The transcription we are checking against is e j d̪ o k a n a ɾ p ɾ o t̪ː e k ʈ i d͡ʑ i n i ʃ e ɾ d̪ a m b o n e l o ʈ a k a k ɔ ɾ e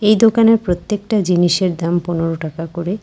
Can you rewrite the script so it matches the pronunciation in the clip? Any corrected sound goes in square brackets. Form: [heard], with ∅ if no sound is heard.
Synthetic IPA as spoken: e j d̪ o k a n [e] ɾ p ɾ o t̪ː e k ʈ [a] d͡ʑ i n i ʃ e ɾ d̪ a m [p] o n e [ɾ] o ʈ a k a k [o] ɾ e